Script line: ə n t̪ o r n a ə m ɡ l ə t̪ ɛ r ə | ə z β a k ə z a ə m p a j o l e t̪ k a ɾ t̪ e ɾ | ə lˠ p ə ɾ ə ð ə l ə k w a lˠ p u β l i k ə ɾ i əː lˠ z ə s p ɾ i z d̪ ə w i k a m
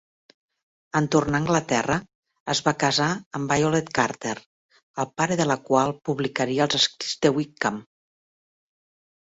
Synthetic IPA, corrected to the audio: ə n t̪ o r n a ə ŋ ɡ l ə t̪ ɛ r ə | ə z β a k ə z a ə m b a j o l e t̪ k a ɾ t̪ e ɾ | ə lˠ p a ɾ ə ð ə l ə k w a lˠ p u β l i k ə ɾ i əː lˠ z ə s k ɾ i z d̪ ə w i k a m